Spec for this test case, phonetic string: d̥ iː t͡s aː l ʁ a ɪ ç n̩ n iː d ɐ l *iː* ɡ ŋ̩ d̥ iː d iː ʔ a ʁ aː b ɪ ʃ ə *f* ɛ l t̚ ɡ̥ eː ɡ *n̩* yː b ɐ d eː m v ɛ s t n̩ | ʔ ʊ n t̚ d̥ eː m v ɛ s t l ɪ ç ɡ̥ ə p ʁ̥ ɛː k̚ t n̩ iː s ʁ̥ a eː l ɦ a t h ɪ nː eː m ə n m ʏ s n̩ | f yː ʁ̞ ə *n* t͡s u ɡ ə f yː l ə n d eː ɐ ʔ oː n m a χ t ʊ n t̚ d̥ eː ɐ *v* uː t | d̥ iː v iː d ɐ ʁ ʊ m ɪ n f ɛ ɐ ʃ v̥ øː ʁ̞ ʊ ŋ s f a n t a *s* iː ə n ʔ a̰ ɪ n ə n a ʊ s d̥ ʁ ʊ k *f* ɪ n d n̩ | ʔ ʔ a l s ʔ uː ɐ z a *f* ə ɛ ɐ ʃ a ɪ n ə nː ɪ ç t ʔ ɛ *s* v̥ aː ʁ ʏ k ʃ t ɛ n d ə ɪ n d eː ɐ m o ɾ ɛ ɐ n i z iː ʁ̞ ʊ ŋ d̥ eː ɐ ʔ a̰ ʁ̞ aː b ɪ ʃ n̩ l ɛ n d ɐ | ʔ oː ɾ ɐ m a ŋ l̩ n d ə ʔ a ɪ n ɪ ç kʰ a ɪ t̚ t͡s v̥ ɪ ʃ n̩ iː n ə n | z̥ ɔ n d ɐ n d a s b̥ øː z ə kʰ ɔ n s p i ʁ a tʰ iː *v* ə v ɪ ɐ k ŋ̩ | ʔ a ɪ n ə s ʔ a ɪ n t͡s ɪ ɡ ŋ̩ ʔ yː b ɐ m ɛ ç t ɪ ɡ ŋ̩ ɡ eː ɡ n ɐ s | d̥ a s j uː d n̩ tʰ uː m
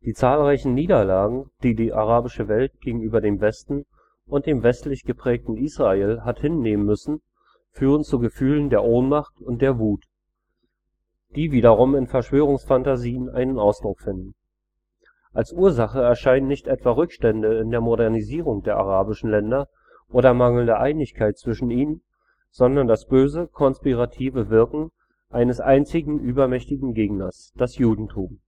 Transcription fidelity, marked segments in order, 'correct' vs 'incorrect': incorrect, incorrect, incorrect, correct, correct, incorrect, correct, incorrect, incorrect, correct

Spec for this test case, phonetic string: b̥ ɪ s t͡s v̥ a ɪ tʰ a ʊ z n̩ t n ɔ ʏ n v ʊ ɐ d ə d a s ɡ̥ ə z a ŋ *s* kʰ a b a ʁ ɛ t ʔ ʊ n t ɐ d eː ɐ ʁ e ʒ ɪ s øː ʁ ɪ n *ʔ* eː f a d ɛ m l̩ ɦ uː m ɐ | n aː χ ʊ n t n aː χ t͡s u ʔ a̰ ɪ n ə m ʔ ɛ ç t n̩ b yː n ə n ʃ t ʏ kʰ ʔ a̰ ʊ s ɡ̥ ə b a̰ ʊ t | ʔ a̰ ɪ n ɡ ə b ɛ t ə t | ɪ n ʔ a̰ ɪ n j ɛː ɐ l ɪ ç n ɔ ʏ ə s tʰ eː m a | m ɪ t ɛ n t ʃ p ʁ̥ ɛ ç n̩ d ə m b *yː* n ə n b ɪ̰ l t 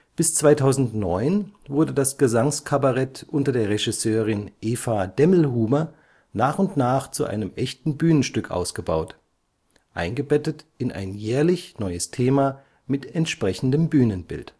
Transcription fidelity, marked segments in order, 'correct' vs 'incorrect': correct, correct, correct

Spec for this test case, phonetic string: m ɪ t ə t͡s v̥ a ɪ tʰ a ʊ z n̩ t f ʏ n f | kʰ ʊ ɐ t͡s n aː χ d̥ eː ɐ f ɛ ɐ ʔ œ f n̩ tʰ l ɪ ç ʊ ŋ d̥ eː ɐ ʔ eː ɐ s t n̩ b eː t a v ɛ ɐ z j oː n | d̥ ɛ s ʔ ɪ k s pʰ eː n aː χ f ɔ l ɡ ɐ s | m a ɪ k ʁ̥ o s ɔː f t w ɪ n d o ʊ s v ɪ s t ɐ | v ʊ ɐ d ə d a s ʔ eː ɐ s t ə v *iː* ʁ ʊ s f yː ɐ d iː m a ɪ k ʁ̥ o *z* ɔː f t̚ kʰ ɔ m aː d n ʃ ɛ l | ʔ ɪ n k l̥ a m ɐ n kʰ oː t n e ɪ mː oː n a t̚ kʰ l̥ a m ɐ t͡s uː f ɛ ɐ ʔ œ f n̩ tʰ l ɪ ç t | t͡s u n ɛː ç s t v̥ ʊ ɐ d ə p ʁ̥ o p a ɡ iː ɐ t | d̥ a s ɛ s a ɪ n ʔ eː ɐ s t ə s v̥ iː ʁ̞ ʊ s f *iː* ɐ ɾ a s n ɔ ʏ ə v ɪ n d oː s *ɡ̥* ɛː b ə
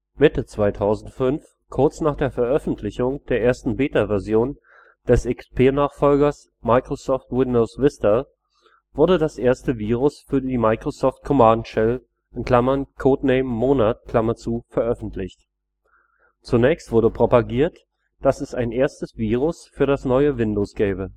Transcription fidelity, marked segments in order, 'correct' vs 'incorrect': correct, incorrect, incorrect, correct

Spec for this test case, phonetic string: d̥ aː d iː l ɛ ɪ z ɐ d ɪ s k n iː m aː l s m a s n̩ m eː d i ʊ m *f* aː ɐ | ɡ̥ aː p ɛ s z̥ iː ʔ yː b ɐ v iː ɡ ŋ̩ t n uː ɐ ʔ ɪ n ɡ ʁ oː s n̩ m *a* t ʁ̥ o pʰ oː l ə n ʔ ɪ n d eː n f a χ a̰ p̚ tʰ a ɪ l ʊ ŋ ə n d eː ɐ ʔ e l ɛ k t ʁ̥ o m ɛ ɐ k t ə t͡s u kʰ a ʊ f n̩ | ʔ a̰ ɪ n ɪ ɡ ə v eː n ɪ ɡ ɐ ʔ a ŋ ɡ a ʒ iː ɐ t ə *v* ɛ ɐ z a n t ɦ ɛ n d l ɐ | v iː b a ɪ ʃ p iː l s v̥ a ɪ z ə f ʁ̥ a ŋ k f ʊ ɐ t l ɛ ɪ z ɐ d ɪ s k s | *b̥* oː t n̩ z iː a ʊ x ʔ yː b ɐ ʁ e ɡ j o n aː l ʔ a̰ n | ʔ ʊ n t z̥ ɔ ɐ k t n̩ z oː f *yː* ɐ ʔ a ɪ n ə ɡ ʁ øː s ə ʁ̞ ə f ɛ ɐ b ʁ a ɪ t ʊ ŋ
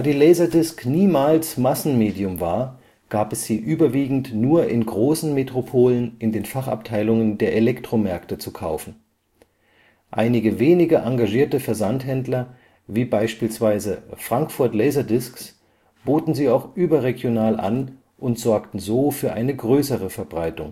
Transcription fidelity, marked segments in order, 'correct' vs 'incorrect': incorrect, incorrect, incorrect, correct, correct

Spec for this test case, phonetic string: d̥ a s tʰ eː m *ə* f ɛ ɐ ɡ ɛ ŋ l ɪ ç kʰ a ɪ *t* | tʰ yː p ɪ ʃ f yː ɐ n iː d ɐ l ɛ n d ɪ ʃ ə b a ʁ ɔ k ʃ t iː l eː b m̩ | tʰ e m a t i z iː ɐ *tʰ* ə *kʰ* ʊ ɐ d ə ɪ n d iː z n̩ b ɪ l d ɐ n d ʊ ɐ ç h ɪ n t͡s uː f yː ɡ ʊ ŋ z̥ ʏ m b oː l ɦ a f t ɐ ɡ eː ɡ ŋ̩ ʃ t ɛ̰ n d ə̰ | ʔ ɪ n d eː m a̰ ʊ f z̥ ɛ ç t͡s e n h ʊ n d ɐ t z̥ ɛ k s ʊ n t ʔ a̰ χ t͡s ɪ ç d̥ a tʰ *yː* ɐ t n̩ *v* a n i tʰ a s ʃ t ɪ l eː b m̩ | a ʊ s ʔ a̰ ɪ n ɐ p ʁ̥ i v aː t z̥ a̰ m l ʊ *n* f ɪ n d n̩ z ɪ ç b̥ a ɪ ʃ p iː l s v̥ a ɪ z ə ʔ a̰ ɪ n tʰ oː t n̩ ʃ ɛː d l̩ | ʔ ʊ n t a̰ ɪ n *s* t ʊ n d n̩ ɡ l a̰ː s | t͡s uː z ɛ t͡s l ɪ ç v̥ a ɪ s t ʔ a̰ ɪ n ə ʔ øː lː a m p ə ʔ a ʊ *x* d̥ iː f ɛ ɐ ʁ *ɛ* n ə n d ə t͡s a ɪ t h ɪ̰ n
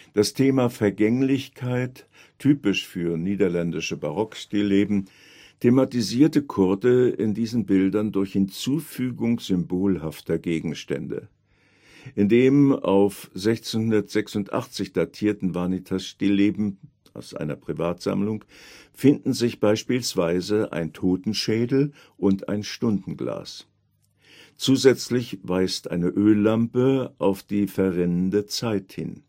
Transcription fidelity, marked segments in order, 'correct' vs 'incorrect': incorrect, correct, incorrect, correct, incorrect, correct, incorrect, incorrect, incorrect, correct

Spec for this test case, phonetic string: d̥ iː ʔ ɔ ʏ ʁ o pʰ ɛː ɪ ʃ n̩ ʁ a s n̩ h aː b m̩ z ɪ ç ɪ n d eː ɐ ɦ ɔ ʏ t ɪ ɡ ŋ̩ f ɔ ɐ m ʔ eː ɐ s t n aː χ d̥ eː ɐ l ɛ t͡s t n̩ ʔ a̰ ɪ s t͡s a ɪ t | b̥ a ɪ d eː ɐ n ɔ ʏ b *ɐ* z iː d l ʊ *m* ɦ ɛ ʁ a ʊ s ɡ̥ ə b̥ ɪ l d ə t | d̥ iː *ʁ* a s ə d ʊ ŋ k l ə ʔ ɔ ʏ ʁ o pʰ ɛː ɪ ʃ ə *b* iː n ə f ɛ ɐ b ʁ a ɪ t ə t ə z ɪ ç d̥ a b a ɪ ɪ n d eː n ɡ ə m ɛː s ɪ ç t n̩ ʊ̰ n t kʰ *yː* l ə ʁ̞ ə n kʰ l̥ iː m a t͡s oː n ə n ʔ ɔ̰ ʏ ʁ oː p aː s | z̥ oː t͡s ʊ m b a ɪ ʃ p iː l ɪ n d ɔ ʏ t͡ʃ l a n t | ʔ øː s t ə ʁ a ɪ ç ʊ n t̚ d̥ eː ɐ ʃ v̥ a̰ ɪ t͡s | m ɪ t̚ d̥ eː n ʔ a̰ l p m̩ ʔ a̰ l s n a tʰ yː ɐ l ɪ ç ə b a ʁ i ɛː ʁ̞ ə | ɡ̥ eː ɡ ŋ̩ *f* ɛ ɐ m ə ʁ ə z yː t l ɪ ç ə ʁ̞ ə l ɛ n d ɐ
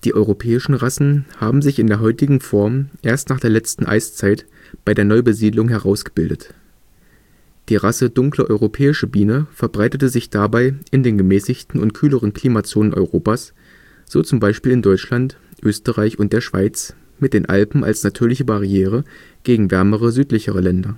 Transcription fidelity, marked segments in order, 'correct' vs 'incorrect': incorrect, incorrect, correct, correct, correct, incorrect

